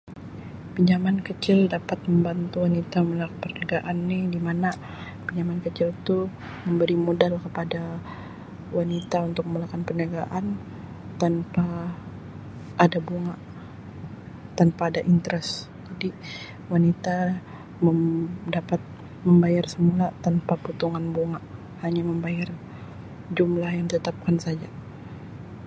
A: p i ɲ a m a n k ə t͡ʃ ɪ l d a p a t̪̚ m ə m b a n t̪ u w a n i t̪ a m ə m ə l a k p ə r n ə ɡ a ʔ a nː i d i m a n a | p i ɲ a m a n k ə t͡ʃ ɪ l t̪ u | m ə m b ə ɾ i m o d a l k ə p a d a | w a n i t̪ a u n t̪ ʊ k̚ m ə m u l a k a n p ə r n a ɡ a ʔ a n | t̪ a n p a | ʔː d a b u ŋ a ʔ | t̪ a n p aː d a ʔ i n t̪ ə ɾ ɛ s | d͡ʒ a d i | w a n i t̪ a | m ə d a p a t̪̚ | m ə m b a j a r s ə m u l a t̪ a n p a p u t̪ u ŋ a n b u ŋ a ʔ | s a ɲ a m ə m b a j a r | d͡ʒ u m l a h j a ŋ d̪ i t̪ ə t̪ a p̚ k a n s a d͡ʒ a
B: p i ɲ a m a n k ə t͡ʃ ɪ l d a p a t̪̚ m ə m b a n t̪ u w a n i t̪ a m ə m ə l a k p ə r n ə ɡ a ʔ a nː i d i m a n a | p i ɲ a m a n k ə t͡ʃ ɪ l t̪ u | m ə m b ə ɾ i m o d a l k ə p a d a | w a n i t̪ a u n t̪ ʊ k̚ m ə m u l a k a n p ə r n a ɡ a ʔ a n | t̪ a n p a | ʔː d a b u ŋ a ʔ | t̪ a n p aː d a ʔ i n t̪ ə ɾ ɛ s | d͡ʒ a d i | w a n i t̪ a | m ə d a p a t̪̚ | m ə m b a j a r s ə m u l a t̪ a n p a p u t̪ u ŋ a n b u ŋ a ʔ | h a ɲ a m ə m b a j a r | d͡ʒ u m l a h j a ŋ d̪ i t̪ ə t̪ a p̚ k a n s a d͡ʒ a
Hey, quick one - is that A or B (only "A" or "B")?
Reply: B